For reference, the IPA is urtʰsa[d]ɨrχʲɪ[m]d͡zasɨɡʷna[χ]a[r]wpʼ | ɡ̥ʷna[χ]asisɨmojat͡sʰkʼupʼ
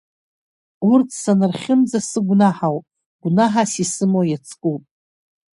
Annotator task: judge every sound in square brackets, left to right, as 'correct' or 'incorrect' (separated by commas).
incorrect, correct, incorrect, incorrect, incorrect